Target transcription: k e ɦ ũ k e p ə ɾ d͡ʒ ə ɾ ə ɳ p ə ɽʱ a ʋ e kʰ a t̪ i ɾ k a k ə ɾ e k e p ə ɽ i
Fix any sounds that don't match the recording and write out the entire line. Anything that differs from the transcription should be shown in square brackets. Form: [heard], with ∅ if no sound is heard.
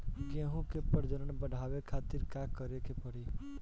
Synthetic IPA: k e ɦ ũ k e p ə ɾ d͡ʒ ə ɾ ə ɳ [b] ə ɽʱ a ʋ e kʰ a t̪ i ɾ k a k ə ɾ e k e p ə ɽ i